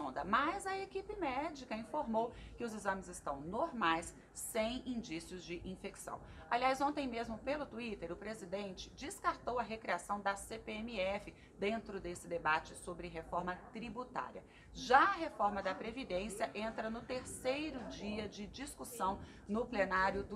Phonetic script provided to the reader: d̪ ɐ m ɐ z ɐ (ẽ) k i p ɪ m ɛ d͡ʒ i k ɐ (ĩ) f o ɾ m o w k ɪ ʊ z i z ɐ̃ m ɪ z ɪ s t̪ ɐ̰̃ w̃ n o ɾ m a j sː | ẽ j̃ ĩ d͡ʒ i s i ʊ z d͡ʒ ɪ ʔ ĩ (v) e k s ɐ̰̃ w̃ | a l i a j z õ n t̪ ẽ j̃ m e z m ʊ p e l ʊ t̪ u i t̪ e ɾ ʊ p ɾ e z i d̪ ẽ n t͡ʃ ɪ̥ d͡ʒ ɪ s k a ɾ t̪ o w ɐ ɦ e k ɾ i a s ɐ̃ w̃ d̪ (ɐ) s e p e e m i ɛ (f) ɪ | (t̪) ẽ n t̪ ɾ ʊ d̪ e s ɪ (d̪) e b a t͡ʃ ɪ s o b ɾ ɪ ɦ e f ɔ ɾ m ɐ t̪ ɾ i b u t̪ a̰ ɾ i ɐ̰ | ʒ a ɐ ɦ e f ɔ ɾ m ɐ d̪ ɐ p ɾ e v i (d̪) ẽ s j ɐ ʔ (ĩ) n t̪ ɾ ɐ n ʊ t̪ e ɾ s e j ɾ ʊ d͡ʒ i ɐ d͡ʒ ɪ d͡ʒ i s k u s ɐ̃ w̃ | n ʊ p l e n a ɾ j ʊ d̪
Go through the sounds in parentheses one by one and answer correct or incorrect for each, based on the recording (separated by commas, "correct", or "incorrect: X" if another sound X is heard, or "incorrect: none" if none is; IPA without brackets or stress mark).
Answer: incorrect: e, correct, incorrect: f, correct, correct, incorrect: d̪, correct, correct, incorrect: ẽ